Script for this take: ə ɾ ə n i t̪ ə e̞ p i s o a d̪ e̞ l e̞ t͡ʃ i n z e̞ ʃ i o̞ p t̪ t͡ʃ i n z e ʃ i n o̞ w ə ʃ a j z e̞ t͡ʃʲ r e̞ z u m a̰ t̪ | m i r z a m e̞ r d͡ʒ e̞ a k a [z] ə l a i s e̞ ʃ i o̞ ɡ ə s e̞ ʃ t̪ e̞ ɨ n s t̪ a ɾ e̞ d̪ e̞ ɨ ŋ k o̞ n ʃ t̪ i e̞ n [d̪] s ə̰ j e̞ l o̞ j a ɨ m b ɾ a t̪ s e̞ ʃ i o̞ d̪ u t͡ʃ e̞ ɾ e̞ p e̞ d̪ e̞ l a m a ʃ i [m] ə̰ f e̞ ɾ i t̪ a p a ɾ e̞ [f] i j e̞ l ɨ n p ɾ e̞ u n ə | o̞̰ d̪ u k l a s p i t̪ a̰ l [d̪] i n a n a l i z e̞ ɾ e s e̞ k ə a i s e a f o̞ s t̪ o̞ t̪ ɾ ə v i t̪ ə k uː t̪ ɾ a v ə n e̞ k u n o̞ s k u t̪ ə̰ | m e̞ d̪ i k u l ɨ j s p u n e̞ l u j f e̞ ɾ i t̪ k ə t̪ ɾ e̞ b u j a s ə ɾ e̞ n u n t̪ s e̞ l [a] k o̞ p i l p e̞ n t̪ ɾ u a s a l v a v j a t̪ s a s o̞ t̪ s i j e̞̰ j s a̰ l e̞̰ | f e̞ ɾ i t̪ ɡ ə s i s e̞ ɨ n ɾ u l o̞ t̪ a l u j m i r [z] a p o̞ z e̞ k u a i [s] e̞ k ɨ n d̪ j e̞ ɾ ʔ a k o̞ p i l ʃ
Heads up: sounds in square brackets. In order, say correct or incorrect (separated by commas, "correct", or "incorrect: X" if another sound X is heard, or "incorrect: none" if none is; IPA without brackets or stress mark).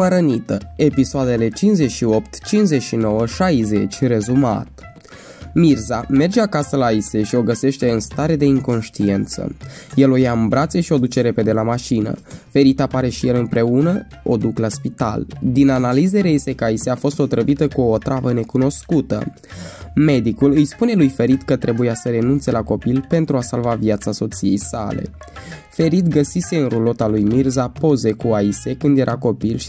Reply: incorrect: s, incorrect: t̪, incorrect: n, incorrect: ʃ, correct, correct, correct, correct